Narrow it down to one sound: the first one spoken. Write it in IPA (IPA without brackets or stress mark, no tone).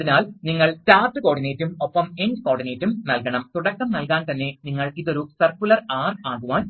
i